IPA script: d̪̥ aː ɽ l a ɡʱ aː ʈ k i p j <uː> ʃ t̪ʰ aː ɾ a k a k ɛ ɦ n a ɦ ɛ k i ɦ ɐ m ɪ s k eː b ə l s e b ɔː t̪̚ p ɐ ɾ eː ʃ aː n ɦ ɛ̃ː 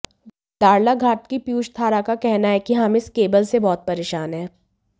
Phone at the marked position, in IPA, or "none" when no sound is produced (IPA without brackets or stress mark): uː